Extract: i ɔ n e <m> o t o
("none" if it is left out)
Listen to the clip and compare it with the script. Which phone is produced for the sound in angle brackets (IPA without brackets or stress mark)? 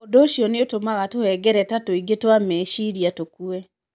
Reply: none